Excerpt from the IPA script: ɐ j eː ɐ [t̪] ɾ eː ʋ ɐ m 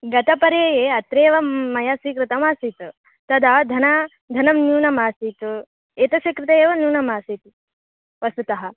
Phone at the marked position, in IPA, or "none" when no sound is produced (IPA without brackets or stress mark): t̪